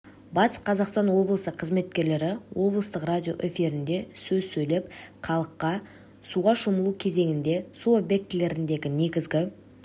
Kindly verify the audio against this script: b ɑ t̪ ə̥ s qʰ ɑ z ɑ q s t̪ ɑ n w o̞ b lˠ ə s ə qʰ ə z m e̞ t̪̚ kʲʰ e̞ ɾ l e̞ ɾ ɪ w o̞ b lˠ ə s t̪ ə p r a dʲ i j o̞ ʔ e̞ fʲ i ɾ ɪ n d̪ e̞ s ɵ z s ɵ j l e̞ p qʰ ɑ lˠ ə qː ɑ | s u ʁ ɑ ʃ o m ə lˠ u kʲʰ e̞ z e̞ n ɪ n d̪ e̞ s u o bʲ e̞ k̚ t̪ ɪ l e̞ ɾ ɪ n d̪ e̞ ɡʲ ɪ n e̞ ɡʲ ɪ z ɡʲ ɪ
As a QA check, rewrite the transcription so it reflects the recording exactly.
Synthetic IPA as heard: b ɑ t̪ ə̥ s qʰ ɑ z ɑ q s t̪ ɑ n w o̞ b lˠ ə s ə qʰ ə z m e̞ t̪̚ kʲ e̞ ɾ l e̞ ɾ ɪ w o̞ b lˠ ə s t̪ ə q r a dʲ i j o̞ ʔ e̞ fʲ i ɾ ɪ n d̪ e̞ s ɵ z s ɵ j l e̞ p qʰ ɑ lˠ ə qː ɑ | s u ʁ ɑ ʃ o m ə lˠ u kʲʰ e̞ z e̞ ŋ ɪ n d̪ e̞ s u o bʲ e̞ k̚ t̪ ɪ l e̞ ɾ ɪ n d̪ e̞ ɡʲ ɪ n e̞ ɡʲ ɪ z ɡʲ ɪ